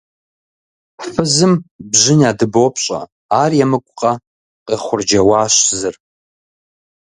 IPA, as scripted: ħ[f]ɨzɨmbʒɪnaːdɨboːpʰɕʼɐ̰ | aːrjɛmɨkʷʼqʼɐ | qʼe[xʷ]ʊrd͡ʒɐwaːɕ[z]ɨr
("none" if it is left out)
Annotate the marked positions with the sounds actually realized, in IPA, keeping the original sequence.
f, χʷ, z

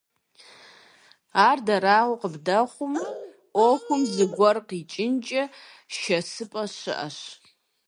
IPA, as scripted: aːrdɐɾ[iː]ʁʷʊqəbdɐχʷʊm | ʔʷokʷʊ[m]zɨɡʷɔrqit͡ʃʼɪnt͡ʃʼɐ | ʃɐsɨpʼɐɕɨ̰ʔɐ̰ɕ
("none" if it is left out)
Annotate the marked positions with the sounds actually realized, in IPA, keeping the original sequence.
aː, m

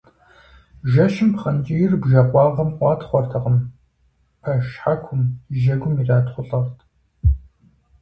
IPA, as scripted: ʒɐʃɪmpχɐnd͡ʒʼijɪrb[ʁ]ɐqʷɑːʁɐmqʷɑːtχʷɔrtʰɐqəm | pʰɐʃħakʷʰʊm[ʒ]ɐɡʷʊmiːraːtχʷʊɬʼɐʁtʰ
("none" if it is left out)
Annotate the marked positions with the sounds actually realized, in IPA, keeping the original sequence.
ʒ, ʒ

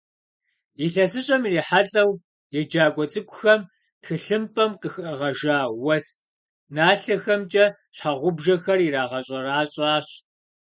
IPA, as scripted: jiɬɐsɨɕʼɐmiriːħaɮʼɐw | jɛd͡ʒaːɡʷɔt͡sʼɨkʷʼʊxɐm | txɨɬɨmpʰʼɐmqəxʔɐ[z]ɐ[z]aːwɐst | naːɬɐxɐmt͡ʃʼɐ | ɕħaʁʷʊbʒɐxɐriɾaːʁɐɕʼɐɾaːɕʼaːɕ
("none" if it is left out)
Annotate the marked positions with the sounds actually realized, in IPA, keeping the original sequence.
ʁ, ʒ

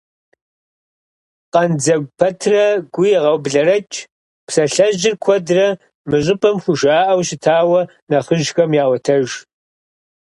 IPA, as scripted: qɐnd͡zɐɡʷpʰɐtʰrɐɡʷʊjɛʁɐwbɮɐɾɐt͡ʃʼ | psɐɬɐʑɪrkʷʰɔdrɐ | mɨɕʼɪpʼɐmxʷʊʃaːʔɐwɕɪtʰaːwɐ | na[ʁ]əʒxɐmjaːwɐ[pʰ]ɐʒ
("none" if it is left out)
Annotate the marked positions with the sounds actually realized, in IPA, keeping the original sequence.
χ, tʰ

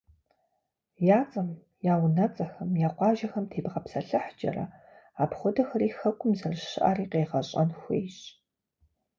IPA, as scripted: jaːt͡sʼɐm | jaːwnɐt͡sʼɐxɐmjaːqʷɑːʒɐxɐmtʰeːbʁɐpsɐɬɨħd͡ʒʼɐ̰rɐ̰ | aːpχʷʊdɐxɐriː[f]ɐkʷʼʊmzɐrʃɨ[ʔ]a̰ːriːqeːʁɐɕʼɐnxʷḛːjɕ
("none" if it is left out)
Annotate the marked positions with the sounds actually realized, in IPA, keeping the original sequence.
x, ʔ

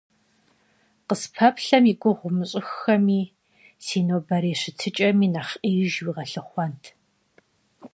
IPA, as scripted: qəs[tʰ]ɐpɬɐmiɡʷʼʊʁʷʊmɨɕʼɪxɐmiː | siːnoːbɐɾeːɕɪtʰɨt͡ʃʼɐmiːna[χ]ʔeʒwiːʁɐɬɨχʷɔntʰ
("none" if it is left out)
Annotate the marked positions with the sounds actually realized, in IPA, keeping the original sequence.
pʰ, χ

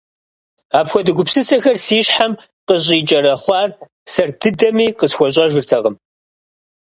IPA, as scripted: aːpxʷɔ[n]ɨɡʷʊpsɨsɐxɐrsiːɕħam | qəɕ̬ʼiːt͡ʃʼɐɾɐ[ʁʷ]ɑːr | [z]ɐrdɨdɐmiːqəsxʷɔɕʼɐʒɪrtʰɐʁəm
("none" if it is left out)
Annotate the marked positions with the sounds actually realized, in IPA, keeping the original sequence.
d, χʷ, s

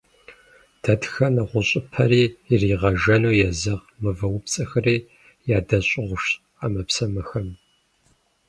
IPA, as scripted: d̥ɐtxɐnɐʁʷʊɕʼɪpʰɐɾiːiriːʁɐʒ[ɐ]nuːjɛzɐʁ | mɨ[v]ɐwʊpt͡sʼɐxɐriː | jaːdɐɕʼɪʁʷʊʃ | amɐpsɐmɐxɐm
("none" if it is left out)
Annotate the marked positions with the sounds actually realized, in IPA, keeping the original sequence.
ɐ, v

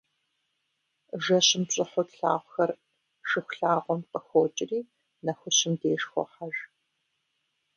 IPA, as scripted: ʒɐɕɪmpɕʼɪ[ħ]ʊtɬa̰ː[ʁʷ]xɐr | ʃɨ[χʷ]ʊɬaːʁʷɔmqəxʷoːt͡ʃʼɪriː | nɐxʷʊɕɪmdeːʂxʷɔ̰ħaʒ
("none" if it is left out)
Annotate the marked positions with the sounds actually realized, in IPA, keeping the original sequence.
ħ, ʁʷ, xʷ

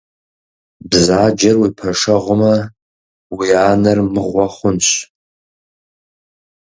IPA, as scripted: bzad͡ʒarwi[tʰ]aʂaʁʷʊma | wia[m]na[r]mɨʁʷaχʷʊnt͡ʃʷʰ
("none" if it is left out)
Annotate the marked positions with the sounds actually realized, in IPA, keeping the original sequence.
pʰ, none, r

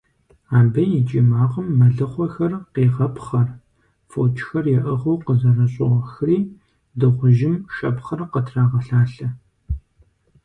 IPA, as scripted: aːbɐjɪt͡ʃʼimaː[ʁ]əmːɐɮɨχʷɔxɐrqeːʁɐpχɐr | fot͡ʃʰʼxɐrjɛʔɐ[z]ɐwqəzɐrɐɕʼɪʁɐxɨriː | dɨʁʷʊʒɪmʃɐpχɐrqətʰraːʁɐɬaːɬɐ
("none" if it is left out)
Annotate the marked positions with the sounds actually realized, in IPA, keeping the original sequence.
ʁ, ʁ

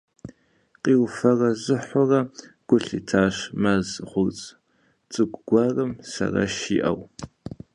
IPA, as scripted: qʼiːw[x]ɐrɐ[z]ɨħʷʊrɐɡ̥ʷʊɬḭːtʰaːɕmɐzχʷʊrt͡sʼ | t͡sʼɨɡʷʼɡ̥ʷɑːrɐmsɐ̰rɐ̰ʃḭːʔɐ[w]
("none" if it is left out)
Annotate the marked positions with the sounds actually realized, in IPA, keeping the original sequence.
f, z, w

